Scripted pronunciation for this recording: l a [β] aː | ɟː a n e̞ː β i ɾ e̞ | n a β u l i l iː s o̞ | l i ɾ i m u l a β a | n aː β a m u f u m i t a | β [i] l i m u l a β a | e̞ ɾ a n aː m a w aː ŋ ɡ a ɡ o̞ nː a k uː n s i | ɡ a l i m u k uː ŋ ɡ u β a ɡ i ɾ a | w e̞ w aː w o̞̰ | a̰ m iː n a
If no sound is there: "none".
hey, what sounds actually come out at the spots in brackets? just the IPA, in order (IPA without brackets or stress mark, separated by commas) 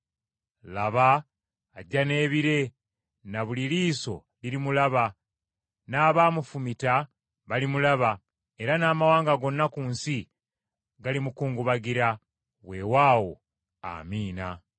β, a